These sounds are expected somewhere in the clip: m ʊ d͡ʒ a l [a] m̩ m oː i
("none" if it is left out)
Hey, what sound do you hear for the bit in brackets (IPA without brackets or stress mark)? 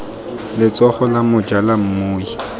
a